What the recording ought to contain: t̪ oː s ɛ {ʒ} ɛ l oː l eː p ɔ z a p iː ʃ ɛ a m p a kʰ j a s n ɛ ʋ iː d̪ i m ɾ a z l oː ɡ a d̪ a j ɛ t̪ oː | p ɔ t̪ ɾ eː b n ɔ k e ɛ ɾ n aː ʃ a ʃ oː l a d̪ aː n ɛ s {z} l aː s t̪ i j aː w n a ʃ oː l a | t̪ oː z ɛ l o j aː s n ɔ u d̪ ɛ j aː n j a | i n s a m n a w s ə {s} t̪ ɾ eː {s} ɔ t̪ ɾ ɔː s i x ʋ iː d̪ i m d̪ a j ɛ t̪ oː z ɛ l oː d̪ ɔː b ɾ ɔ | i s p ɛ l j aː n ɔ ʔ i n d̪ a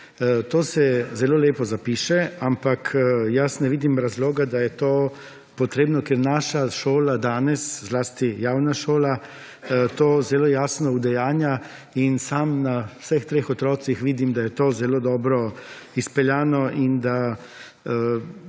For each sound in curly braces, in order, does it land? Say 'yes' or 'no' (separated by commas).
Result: no, yes, no, no